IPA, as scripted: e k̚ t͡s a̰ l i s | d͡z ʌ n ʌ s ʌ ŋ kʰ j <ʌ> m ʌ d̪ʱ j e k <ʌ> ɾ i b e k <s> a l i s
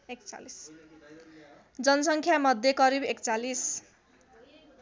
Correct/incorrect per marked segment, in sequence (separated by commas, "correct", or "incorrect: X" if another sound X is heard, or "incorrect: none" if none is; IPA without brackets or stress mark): incorrect: a, correct, incorrect: t͡s